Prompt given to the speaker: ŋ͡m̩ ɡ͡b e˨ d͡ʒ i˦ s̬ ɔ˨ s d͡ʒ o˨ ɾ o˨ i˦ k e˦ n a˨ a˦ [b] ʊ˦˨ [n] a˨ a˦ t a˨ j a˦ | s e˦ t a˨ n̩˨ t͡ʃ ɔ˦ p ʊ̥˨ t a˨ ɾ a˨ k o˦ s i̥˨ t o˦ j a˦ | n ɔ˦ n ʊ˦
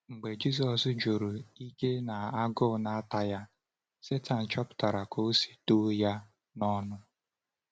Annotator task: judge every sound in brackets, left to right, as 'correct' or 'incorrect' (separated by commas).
incorrect, correct